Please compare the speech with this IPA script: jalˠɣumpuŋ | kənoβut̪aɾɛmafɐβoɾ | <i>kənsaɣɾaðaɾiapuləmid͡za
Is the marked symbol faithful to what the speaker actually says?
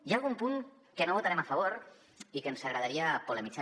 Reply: yes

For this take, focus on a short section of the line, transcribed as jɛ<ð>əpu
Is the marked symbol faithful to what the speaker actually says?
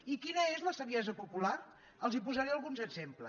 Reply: no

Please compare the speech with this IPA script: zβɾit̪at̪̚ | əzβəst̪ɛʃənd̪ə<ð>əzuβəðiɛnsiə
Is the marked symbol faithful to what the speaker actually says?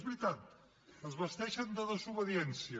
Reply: yes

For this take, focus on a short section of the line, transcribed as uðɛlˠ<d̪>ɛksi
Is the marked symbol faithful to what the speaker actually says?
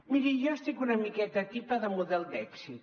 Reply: yes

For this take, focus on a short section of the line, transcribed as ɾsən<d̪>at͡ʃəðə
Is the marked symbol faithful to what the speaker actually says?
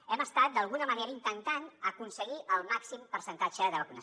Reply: no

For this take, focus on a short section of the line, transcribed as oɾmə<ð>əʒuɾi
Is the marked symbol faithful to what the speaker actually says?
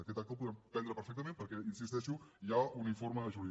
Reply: yes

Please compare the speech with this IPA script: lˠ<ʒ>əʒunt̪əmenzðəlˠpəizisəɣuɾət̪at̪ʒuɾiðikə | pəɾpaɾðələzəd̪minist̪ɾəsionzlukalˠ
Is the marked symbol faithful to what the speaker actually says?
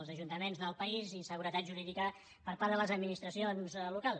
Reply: no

